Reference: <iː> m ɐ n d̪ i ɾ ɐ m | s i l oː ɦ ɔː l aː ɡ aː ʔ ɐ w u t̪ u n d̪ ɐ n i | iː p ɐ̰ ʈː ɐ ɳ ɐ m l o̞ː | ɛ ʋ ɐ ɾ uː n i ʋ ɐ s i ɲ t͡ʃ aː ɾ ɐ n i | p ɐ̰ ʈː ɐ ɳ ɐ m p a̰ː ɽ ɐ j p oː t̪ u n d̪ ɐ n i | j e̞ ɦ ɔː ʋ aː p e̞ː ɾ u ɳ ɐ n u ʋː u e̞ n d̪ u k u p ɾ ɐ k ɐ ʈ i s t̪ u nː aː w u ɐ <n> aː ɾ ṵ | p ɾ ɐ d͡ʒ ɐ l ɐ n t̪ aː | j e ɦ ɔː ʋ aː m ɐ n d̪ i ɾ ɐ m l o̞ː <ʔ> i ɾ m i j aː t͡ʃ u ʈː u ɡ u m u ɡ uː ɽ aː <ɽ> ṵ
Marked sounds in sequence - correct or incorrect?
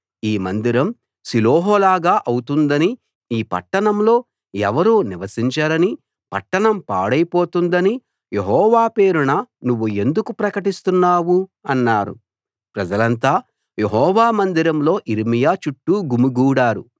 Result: correct, incorrect: nː, correct, incorrect: ɾ

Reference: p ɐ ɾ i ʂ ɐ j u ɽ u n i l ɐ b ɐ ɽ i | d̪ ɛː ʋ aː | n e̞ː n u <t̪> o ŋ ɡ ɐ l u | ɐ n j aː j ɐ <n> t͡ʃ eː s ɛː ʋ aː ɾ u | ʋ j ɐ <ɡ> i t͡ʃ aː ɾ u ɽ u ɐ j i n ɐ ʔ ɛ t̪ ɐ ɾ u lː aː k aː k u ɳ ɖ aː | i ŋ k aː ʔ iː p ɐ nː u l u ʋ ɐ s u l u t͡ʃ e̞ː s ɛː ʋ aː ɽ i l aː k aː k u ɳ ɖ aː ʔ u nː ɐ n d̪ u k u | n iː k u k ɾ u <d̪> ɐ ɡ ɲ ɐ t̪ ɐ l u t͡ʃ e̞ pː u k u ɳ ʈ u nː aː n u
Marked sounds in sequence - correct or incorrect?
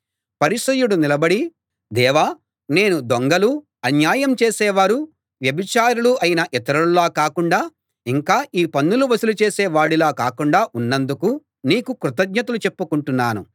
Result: incorrect: d̪, incorrect: m, incorrect: b, incorrect: t̪

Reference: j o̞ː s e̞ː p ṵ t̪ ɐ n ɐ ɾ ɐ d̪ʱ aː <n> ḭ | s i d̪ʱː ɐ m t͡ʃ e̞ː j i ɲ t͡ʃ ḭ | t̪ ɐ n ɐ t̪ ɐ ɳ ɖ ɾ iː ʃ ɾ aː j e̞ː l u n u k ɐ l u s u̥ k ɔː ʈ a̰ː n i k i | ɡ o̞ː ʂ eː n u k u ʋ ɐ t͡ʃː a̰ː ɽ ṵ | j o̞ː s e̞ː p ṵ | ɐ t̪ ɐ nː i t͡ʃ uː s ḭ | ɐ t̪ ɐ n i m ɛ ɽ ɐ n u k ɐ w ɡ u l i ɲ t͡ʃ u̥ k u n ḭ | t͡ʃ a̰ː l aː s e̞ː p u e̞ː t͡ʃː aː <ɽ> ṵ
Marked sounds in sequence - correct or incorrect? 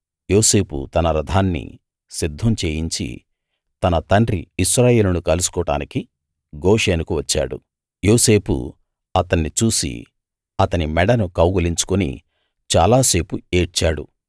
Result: incorrect: nː, correct

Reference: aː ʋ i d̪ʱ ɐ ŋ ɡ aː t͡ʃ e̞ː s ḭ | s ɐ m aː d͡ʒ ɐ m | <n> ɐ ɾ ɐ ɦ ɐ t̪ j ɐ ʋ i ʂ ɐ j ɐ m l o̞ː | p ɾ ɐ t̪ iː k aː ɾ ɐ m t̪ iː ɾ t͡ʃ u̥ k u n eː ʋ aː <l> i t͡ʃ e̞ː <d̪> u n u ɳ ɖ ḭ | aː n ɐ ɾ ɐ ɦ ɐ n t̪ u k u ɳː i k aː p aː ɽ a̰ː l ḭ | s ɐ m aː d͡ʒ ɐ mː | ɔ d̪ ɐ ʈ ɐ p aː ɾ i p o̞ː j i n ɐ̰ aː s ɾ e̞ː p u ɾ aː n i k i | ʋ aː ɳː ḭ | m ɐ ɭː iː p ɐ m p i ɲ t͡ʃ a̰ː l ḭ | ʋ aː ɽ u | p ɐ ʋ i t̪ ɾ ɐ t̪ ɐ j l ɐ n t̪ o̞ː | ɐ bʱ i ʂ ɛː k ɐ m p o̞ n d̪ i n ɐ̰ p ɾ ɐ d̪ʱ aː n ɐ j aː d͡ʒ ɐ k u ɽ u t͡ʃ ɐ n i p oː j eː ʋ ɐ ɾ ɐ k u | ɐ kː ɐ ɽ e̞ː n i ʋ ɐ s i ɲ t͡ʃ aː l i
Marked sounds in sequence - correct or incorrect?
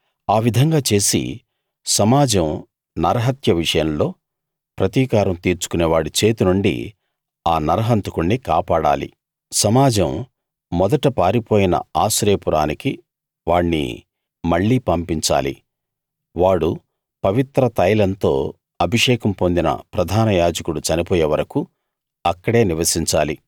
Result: correct, incorrect: ɽ, incorrect: t̪

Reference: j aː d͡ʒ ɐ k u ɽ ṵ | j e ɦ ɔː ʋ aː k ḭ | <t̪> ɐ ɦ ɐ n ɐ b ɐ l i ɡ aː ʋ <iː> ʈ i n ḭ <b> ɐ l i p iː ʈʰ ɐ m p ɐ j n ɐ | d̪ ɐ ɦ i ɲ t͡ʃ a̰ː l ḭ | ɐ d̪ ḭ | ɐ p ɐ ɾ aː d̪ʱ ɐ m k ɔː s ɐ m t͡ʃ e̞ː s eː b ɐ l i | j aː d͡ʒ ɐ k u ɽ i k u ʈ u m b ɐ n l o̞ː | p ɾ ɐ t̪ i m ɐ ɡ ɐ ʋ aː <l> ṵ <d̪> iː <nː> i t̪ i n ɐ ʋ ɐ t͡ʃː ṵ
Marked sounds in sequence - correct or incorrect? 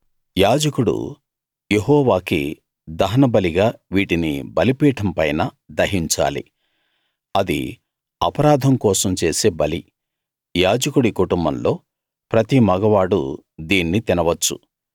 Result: incorrect: d̪, correct, correct, incorrect: ɽ, correct, correct

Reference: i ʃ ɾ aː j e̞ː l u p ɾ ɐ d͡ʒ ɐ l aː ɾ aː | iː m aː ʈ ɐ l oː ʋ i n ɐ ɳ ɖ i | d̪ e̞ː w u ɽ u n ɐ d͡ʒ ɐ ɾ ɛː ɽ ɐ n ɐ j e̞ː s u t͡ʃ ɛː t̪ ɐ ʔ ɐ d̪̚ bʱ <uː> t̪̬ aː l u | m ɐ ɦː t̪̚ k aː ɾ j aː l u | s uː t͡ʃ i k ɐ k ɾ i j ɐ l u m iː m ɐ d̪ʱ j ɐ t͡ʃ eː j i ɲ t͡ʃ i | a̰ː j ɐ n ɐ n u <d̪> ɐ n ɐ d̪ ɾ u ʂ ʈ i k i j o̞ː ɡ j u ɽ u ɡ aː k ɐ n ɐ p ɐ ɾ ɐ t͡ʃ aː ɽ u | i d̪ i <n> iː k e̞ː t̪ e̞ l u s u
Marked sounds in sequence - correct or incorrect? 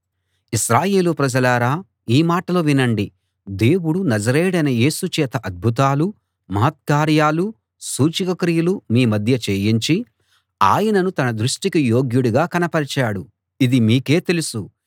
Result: incorrect: u, incorrect: t̪, incorrect: m

